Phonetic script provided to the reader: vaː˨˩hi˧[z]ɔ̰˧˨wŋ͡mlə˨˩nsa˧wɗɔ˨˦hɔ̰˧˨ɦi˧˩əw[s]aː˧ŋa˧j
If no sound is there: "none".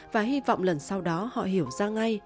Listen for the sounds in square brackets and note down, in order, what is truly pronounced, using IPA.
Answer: v, z

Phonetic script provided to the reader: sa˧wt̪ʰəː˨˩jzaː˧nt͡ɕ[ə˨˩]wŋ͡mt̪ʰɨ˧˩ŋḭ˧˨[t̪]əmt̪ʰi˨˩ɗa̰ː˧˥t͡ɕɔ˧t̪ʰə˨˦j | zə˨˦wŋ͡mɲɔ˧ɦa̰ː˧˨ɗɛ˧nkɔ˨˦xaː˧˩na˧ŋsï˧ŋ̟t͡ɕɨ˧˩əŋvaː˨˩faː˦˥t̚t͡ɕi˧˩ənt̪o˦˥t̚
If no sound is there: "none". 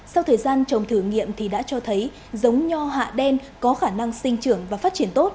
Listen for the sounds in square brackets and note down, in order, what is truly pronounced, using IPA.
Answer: ə˨˩, none

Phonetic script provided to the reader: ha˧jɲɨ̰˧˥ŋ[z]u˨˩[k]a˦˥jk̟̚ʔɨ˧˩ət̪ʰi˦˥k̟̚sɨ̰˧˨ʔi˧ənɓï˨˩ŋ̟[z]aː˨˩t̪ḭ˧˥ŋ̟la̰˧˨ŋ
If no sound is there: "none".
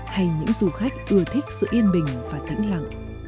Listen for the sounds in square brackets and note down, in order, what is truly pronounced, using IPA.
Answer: z, x, v

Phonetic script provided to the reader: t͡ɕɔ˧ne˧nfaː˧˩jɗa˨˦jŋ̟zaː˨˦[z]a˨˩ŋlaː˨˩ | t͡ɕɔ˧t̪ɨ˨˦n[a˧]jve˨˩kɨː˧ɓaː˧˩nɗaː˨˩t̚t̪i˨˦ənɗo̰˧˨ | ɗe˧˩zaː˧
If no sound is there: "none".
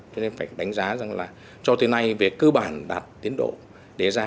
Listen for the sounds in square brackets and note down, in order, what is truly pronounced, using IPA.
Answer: z, a˧

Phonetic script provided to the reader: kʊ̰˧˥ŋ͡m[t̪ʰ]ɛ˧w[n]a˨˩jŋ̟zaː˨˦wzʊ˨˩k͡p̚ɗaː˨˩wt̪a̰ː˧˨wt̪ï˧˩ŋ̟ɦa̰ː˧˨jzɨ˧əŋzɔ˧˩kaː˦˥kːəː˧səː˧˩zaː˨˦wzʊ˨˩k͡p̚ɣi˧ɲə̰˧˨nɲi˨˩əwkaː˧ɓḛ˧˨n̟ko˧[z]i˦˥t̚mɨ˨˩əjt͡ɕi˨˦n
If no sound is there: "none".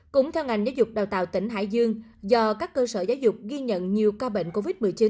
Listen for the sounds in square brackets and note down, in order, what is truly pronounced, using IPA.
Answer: t̪ʰ, ŋ, v

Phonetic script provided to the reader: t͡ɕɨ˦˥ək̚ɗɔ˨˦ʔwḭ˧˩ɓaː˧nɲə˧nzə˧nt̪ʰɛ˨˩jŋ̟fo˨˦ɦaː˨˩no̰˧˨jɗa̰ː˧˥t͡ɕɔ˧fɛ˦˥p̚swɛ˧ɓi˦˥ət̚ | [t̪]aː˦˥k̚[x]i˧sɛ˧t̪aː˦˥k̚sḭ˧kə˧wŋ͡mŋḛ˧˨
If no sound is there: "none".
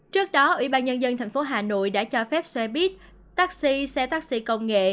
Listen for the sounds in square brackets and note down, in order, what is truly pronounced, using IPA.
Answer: t̪, s

